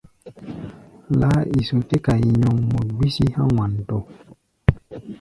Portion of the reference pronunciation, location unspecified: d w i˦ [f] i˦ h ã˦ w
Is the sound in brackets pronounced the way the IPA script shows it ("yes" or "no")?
no